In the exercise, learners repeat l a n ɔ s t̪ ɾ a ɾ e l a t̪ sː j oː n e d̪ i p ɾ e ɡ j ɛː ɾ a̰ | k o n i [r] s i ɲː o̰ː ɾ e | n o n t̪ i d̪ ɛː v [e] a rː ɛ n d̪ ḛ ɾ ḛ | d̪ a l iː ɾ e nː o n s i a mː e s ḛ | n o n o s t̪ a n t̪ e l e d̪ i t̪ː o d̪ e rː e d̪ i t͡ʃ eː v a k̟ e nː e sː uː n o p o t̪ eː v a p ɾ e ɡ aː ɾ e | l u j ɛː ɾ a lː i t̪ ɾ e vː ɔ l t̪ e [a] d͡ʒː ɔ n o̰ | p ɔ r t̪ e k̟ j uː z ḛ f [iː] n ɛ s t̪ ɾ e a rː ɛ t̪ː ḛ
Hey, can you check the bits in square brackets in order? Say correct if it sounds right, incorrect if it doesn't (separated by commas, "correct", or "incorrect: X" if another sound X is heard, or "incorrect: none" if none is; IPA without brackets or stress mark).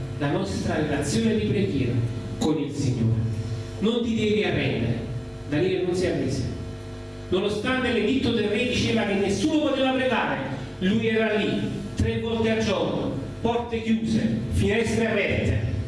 incorrect: l, incorrect: i, correct, incorrect: i